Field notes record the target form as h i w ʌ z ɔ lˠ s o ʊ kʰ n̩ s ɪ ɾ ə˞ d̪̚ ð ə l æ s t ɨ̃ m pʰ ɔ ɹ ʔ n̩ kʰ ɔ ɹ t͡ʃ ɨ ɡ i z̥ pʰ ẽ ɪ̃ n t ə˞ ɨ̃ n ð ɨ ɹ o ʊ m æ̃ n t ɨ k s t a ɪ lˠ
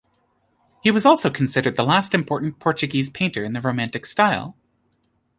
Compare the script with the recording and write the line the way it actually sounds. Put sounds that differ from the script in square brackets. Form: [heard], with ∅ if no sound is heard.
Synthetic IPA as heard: h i w ʌ z ɔ lˠ s o ʊ kʰ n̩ s ɪ ɾ ə˞ d̪̚ ð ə l æ s t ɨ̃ m pʰ ɔ ɹ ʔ n̩ [pʰ] ɔ ɹ t͡ʃ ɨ ɡ i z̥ pʰ ẽ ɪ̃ n t ə˞ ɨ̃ n ð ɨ ɹ o ʊ m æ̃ n t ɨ k s t a ɪ lˠ